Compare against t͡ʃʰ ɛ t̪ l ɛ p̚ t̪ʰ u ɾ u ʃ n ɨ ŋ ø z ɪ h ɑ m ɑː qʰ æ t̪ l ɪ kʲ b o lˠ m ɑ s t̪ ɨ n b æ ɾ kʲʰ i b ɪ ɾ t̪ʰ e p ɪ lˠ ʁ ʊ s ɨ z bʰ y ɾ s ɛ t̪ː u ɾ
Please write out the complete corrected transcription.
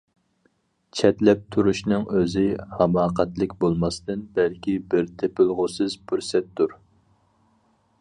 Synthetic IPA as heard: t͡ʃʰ ɛ t̪ l ɛ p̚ t̪ʰ u ɾ u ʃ n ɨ ŋ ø z ɪ h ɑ m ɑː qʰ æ t̪ l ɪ kʲ b o lˠ m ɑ s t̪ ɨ n b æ l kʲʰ i b ɪ ɾ t̪ʰ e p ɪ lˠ ʁ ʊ s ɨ z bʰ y ɾ s ɛ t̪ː u ɾ